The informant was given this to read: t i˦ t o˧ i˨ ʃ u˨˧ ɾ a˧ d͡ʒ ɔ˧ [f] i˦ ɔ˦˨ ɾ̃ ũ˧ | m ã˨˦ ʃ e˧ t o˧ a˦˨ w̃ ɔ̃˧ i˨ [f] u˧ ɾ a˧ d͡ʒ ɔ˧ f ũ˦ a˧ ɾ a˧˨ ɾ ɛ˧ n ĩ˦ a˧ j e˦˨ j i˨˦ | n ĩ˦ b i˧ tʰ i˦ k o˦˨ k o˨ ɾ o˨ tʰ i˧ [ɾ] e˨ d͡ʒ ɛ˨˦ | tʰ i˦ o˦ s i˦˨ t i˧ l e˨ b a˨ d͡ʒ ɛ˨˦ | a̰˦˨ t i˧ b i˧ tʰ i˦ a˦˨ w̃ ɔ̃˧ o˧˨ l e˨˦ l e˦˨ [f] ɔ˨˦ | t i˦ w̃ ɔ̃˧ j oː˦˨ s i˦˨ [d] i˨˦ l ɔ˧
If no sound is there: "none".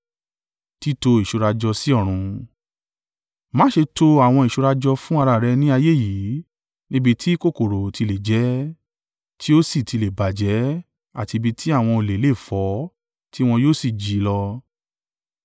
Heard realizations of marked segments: s, ʃ, l, f, d͡ʒ

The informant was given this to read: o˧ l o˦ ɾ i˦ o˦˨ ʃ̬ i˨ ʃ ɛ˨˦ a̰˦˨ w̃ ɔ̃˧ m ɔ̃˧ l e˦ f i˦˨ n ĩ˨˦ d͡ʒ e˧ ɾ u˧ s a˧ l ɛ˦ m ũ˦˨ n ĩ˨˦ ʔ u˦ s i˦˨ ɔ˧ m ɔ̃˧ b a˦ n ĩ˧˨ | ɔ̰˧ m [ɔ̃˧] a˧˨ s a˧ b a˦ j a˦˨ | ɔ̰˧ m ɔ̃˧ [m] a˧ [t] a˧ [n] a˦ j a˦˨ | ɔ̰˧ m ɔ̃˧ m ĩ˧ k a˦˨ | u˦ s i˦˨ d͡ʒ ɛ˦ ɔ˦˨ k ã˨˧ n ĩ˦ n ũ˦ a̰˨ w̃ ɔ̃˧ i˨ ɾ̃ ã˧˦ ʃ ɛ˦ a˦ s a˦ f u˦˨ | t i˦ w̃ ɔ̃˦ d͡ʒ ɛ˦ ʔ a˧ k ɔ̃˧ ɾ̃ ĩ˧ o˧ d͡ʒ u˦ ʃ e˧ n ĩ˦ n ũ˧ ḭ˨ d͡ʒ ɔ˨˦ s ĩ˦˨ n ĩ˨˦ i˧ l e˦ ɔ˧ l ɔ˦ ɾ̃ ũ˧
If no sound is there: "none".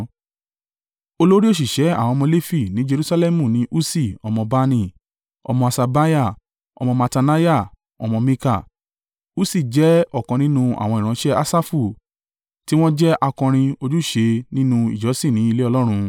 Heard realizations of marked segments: ɔ̃˧, m, t, n

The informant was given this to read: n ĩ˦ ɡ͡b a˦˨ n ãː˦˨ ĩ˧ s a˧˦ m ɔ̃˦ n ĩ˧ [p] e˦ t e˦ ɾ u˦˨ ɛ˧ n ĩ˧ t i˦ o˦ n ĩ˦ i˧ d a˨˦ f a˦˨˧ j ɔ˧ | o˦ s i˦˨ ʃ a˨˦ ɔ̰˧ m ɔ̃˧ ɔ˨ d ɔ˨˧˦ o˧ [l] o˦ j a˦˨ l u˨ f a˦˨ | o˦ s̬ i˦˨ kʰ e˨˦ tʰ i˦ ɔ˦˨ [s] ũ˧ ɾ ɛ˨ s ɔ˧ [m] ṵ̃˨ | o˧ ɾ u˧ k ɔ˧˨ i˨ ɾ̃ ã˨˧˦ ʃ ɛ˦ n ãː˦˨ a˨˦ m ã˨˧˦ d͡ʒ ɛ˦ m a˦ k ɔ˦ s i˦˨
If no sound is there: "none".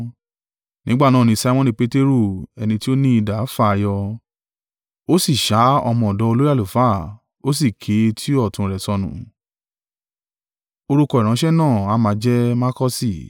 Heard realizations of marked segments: p, l, t, n

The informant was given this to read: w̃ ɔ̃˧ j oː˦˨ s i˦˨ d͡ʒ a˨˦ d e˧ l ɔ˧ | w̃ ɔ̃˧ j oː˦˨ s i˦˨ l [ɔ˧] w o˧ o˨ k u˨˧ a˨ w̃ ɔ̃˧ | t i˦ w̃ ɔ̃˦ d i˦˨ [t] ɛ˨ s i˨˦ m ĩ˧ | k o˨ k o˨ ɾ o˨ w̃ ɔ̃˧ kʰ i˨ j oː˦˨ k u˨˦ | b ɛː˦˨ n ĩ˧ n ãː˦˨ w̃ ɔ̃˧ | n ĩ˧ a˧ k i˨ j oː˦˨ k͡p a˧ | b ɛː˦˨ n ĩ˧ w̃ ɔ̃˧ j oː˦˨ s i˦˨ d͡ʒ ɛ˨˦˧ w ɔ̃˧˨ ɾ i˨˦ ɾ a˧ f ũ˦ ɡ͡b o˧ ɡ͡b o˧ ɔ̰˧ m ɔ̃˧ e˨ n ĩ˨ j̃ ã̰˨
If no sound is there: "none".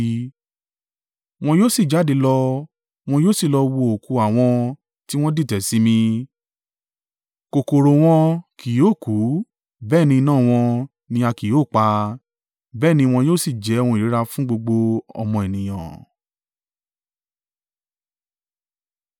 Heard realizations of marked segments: ɔ˧, t

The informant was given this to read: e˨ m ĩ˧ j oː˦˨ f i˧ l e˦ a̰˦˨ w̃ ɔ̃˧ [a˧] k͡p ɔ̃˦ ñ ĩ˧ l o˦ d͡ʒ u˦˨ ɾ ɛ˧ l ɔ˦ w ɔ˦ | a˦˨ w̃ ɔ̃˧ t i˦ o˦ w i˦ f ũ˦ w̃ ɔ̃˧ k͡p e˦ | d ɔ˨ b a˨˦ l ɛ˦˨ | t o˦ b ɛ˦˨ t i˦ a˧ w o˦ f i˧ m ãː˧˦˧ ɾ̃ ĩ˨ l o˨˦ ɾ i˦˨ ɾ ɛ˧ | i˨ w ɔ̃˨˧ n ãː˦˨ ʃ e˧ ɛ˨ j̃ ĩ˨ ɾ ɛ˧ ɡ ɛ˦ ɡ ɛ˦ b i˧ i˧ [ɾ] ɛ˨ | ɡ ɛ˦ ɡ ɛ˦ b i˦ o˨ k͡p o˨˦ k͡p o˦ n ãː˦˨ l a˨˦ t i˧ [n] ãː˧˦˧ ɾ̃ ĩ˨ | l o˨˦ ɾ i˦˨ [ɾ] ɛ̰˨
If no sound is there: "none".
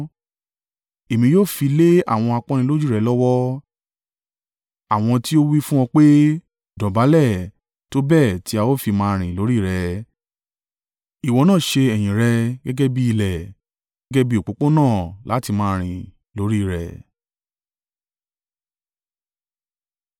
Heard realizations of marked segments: a˧, l, m, ɾ

